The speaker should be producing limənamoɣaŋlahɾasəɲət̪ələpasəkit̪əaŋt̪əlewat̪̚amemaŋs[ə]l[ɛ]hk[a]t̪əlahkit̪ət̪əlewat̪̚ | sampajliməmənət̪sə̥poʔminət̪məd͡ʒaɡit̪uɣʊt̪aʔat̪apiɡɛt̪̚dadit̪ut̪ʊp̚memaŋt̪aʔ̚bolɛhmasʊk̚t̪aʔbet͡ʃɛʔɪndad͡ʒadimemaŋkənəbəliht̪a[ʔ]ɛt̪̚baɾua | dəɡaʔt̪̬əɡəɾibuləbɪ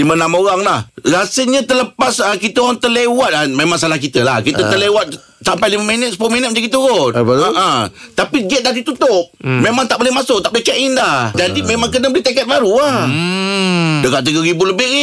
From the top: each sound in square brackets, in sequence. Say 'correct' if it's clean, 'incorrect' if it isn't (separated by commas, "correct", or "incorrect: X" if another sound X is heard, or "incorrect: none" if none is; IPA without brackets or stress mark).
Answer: incorrect: a, incorrect: a, incorrect: i, incorrect: k